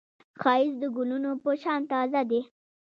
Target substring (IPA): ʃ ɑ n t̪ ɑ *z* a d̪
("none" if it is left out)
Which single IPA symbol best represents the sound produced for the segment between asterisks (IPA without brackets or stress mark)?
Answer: z